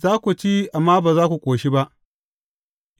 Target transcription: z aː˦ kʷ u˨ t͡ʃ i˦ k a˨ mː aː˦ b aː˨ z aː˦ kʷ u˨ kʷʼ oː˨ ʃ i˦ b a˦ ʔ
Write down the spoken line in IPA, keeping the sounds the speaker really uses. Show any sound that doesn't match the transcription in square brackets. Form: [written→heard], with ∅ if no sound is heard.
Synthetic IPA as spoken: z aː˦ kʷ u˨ t͡ʃ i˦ [k→ʔ] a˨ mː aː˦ b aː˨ z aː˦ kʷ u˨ kʷʼ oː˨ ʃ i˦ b a˦ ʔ